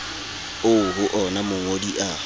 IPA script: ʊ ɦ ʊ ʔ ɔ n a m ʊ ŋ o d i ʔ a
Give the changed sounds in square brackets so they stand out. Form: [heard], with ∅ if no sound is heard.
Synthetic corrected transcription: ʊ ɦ ʊ ʔ ɔ n a m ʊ ŋ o d i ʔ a